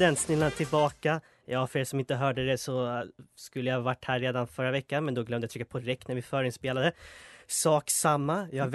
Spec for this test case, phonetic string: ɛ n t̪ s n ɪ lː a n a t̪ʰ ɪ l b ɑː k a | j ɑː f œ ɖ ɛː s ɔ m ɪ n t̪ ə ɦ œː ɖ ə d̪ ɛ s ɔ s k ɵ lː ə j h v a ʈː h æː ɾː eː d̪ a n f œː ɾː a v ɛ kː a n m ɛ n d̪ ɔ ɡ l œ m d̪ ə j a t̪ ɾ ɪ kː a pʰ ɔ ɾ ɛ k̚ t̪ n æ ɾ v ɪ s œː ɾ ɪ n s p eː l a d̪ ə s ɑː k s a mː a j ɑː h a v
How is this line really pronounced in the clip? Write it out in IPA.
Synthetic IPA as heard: ɛ n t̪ s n ɪ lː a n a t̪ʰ ɪ l b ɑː k a | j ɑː f œ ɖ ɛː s ɔ m ɪ n t̪ ə ɦ œː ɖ ə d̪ ɛ s ɔ s k ɵ lː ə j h v a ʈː h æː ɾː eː d̪ a n f œ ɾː a v ɛ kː a n m ɛ n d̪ ɔ ɡ l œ m d̪ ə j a t̪ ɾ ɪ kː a pʰ ɔ ɾ ɛ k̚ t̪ n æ ɾ v ɪ f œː ɾ ɪ n s p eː l a d̪ ə s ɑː k s a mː a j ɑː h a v